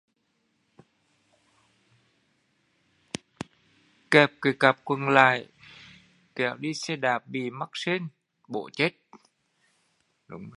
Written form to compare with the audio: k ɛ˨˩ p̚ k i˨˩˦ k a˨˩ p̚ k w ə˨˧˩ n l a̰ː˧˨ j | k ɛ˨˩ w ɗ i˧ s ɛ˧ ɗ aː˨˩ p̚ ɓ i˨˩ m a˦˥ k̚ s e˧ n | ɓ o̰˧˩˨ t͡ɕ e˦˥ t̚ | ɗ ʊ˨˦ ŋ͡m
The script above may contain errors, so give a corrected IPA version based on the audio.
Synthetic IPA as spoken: k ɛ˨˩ p̚ k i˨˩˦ k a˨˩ p̚ k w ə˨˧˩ n l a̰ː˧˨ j | k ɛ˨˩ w ɗ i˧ s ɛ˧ ɗ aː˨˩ p̚ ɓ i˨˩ m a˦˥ k̚ s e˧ n | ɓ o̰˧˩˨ t͡ɕ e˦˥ t̚ | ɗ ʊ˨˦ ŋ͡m